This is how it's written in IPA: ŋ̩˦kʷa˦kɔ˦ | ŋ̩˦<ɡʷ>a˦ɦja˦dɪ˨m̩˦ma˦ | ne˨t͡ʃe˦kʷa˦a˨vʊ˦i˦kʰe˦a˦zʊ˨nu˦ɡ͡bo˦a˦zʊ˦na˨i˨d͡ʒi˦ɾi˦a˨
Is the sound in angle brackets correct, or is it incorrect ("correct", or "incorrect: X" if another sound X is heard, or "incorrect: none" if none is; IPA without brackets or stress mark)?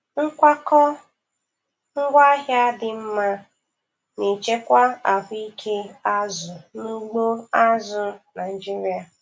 correct